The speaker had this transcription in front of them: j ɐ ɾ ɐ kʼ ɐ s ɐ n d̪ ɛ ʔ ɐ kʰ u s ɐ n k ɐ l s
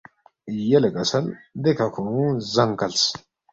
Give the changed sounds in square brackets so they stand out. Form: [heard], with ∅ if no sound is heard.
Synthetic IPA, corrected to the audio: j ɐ [l] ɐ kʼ ɐ s ɐ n d̪ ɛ [k] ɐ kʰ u [z] ɐ [ŋ] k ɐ l s

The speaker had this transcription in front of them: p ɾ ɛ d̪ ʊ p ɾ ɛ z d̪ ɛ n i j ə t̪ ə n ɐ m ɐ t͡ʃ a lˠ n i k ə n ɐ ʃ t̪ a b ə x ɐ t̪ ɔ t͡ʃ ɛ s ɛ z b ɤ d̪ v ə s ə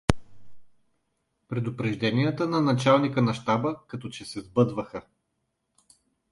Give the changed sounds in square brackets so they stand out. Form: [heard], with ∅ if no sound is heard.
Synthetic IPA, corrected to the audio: p ɾ ɛ d̪ ʊ p ɾ ɛ [ʒ] d̪ ɛ n i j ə t̪ ə n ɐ [n] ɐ t͡ʃ a lˠ n i k ə n ɐ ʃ t̪ a b ə [k] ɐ t̪ ɔ t͡ʃ ɛ s ɛ z b ɤ d̪ v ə [x] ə

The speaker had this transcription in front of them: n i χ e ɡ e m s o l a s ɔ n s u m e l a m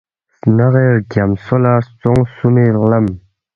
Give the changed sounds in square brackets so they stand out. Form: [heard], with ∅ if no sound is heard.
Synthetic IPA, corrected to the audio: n [a] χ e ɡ [a] m s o l a [t͡s] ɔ [ŋ] s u m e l a m

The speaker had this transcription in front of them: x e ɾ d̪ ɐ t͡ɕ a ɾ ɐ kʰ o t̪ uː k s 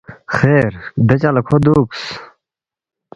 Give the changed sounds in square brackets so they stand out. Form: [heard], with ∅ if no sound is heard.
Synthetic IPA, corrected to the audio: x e ɾ d̪ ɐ t͡ɕ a [l] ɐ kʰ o [d̪] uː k s

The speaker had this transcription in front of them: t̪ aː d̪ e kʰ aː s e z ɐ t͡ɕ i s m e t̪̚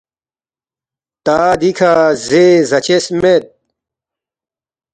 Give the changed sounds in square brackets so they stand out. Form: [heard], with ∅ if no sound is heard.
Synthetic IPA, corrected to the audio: t̪ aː d̪ [i] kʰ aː [z] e z ɐ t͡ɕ [e] s m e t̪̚

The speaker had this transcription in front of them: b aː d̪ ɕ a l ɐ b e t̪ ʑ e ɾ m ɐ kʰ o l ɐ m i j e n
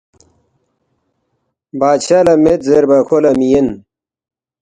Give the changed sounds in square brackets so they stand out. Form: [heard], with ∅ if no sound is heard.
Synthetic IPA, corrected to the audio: b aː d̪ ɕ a l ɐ [m] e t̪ [z] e ɾ [b] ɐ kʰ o l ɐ m i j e n

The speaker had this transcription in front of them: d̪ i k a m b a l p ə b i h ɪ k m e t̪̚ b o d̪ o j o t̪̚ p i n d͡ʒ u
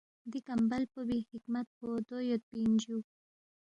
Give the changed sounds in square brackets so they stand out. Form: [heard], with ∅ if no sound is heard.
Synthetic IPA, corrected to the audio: d̪ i k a m b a l p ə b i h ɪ k m [a] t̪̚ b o d̪ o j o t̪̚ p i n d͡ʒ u

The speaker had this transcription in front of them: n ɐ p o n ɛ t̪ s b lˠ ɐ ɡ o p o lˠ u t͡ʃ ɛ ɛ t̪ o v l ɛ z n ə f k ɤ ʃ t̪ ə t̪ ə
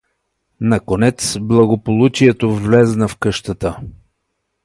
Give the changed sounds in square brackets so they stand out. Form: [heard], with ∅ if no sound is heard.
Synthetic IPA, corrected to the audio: n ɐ [k] o n ɛ t̪ s b lˠ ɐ ɡ o p o lˠ u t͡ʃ [i] ɛ t̪ o v l ɛ z n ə f k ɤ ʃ t̪ ə t̪ ə

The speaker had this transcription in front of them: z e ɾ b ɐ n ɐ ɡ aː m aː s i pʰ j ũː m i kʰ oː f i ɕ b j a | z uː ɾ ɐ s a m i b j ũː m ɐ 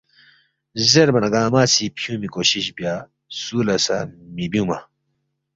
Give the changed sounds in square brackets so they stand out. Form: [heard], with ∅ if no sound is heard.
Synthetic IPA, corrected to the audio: z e ɾ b ɐ n ɐ ɡ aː m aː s i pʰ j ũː m i [k] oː [ɕ] i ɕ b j a | [s] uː [l] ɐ s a m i b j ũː m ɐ

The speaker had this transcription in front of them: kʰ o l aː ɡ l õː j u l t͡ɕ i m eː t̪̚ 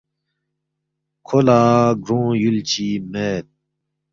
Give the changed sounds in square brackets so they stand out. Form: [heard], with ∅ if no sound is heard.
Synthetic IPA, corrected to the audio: kʰ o l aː ɡ [ɾ] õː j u l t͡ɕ i m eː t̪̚

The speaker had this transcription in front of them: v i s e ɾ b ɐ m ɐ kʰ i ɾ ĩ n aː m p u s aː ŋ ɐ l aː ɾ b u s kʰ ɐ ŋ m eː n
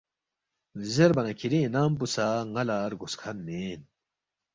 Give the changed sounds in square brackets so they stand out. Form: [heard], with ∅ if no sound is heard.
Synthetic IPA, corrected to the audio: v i [z] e ɾ b ɐ [n] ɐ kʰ i ɾ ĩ n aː m p u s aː ŋ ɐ l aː ɾ [ɡ] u s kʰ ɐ [n] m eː n

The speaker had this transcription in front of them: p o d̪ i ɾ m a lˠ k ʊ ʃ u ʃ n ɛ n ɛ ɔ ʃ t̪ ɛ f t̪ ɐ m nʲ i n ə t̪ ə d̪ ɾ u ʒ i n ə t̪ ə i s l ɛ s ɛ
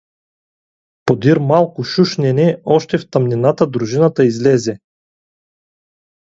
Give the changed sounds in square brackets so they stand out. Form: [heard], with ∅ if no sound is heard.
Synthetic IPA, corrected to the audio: p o d̪ i ɾ m a lˠ k ʊ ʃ u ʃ n ɛ n ɛ ɔ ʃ t̪ ɛ f t̪ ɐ m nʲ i n [a] t̪ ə d̪ ɾ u ʒ i n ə t̪ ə i [z] l ɛ [z] ɛ

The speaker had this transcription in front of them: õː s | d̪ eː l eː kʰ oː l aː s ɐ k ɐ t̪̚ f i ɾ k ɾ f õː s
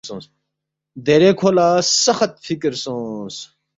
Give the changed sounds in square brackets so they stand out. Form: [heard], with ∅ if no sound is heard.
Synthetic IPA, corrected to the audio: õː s | d̪ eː [ɾ] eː kʰ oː l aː s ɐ [x] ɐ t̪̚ f i [∅] k ɾ [s] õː s

